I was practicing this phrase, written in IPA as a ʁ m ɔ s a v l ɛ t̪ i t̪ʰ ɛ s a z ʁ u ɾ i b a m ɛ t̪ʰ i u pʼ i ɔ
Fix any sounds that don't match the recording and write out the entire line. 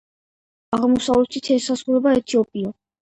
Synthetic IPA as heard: a ʁ m ɔ s a v l ɛ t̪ i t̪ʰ ɛ s a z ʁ u ɾ ɛ b a ɛ t̪ʰ i ɔ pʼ i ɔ